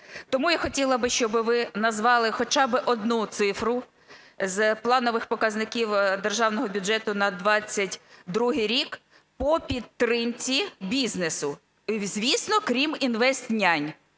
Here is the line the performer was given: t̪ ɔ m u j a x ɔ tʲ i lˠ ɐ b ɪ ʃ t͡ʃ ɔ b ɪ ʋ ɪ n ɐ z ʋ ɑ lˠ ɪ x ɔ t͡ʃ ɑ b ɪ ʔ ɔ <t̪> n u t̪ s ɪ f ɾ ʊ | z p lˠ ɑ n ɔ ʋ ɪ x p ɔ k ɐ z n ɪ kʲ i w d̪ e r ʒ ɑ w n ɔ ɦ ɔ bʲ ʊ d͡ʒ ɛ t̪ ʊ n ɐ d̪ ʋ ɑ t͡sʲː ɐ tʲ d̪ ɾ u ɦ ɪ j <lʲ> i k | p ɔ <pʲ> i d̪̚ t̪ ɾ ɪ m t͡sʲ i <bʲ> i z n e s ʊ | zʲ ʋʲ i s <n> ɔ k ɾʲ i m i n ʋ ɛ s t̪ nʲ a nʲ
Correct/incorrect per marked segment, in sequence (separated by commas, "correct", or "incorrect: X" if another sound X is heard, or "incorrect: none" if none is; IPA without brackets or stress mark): incorrect: d̪, incorrect: ɾʲ, correct, correct, correct